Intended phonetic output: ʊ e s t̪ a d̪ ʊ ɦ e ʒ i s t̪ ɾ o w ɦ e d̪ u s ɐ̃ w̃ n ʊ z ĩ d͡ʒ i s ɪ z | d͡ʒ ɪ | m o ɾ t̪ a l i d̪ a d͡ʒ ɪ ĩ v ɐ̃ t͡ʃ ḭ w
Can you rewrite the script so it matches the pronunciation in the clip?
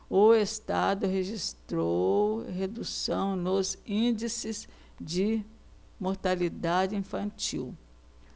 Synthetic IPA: ʊ e s t̪ a d̪ ʊ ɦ e ʒ i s t̪ ɾ o w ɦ e d̪ u s ɐ̃ w̃ n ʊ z ĩ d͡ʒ i s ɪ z | d͡ʒ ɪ | m o ɾ t̪ a l i d̪ a d͡ʒ ɪ ĩ f ɐ̃ t͡ʃ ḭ w